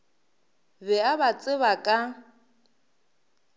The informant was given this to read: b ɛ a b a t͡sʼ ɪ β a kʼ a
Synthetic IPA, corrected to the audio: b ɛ a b a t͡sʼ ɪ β a kʼ a